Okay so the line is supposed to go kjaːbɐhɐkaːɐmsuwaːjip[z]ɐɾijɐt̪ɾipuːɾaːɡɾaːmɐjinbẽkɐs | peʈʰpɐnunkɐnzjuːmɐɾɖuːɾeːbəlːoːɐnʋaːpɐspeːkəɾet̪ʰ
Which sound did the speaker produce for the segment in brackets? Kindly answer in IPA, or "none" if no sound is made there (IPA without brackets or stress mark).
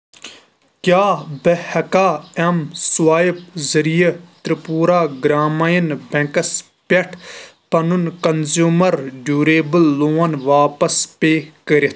z